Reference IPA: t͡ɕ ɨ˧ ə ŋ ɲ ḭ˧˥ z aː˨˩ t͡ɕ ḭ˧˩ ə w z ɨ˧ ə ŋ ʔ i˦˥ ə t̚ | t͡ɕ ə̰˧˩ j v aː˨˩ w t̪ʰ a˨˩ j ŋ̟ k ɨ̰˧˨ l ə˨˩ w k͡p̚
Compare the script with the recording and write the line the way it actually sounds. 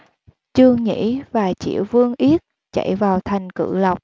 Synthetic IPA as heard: t͡ɕ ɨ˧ ə ŋ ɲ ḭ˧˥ v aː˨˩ t͡ɕ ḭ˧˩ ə w v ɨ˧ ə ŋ ʔ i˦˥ ə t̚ | t͡ɕ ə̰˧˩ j v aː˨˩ w t̪ʰ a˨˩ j ŋ̟ k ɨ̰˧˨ l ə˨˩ w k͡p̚